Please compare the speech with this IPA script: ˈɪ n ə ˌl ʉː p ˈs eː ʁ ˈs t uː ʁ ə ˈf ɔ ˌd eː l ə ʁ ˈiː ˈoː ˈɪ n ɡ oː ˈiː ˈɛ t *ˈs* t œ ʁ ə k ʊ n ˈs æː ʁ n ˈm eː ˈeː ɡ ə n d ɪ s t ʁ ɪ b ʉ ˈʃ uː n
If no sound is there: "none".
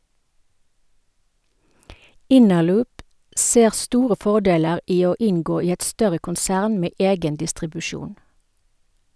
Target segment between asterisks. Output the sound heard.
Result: s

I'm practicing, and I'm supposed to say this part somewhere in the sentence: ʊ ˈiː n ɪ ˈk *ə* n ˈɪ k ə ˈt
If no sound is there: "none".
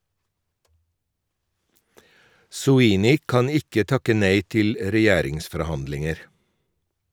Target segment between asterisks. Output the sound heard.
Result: ɑ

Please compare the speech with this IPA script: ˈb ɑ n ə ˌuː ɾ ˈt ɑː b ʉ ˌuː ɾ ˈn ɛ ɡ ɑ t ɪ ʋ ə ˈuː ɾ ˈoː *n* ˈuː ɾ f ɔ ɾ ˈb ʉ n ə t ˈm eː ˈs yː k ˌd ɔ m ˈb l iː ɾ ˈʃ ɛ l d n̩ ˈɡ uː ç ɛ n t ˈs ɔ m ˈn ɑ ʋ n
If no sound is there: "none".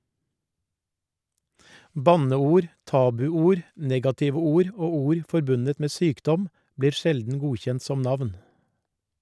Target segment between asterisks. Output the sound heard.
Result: none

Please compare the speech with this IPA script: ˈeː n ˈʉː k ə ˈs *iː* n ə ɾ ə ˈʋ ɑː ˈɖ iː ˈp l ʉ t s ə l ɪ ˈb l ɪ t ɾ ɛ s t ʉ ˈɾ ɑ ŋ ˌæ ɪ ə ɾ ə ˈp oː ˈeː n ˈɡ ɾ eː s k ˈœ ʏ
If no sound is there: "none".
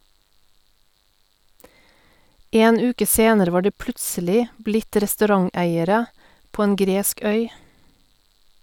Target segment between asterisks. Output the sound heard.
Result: eː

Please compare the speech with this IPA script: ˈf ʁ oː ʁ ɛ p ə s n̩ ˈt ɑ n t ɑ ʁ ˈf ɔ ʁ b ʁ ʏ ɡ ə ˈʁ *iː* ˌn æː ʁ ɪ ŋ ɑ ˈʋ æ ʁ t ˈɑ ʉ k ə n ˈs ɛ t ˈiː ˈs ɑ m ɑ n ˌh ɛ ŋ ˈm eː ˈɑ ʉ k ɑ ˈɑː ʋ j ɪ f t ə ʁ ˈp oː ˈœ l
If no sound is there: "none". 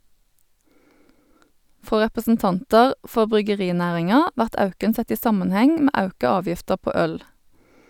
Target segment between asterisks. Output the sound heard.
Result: iː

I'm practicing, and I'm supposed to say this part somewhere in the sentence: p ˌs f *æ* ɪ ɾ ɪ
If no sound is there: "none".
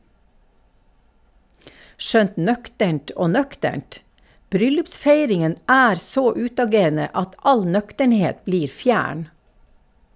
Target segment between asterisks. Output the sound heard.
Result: e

